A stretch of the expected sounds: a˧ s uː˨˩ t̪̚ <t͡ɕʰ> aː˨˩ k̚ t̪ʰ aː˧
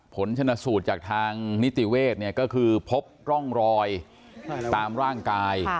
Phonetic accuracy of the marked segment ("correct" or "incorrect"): incorrect